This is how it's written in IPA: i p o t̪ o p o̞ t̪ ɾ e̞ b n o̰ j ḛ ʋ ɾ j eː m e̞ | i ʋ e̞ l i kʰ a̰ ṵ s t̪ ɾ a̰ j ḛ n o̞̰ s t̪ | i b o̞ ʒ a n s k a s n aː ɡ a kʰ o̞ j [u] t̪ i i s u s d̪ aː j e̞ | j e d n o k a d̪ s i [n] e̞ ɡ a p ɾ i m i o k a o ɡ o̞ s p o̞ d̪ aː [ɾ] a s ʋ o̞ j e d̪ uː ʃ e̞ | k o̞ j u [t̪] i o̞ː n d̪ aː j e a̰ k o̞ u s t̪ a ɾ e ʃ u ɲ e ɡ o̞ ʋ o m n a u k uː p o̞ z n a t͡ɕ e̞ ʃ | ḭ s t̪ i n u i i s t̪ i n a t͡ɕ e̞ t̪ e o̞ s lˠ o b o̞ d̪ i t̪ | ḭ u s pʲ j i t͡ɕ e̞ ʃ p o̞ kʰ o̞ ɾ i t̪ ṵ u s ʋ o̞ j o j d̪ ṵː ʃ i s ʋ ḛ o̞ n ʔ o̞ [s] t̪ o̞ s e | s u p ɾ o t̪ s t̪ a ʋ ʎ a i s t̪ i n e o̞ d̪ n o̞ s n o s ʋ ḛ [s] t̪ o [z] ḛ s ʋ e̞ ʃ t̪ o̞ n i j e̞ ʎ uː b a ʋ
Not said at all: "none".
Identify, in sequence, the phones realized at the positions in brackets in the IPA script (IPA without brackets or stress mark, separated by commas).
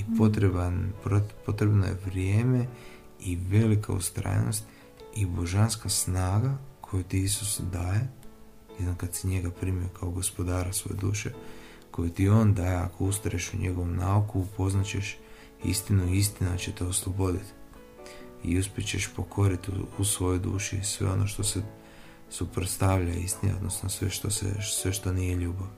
u, ɲ, ɾ, t̪, ʃ, ʃ, s